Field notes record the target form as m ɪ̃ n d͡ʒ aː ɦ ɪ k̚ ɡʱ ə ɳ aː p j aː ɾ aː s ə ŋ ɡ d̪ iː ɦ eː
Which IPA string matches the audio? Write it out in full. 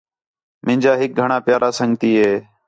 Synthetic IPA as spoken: m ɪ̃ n d͡ʒ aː ɦ ɪ k̚ ɡʱ ə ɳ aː p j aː ɾ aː s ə ŋ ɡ t̪ iː ɦ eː